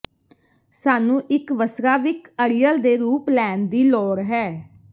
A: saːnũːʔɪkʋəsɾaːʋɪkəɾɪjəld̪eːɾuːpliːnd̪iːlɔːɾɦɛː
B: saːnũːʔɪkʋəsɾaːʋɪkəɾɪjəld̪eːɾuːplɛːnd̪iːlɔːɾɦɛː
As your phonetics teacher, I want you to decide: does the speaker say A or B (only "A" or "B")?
B